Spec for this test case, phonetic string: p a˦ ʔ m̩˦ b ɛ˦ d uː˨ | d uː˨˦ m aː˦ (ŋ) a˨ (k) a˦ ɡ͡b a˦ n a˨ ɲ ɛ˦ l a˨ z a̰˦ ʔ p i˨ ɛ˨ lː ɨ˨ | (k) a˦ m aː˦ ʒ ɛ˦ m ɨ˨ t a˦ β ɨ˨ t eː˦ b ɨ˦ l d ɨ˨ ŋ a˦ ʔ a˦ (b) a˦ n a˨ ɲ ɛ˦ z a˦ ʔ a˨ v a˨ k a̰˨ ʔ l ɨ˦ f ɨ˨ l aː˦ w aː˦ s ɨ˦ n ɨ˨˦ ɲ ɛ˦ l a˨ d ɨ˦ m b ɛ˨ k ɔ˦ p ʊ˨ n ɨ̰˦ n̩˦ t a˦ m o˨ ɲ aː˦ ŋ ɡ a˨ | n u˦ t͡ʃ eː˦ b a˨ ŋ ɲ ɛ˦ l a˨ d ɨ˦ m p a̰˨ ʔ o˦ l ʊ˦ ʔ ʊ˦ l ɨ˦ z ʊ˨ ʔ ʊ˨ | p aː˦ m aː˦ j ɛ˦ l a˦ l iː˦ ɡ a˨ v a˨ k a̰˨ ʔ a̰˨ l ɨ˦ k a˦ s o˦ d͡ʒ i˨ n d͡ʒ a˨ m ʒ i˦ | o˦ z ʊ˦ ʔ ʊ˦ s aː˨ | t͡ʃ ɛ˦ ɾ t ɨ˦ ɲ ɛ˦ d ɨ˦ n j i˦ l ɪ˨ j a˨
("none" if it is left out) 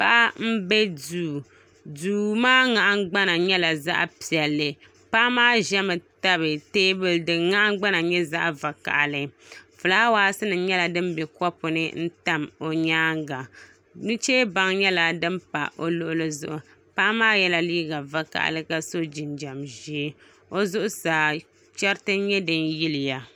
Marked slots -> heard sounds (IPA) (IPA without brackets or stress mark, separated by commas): ŋ, ʔ, p, ɡ͡b